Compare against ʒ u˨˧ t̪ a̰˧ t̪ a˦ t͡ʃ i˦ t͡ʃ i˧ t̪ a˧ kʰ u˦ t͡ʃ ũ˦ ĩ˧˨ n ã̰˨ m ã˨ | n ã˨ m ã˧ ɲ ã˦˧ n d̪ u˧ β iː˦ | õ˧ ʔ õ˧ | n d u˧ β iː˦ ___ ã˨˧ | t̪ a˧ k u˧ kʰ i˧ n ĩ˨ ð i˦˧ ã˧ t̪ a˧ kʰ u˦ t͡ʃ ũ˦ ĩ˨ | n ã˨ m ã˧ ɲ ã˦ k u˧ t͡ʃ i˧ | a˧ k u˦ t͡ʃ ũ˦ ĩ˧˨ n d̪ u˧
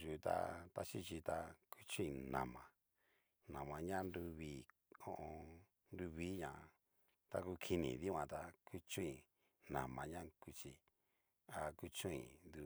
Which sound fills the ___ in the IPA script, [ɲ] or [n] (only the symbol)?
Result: ɲ